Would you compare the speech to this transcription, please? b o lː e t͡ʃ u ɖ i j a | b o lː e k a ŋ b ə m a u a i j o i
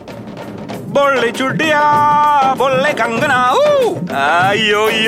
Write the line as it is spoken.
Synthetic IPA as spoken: b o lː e t͡ʃ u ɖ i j a | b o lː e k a ŋ ɡ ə n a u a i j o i